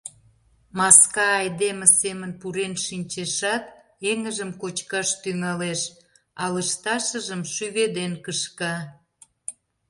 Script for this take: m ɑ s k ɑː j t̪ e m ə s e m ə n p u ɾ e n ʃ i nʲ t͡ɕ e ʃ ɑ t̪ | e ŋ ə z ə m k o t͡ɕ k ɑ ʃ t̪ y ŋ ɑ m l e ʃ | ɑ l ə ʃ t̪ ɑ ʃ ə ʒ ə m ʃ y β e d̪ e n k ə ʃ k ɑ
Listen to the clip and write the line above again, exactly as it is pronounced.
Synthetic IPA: m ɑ s k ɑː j d̪ e m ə s e m ə n p u ɾ e n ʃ i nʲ t͡ɕ e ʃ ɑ t̪ | e ŋ ə ʒ ə m k o t͡ɕ k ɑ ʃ t̪ y ŋ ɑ l e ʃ | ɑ l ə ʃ t̪ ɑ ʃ ə ʒ ə m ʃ y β e d̪ e n k ə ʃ k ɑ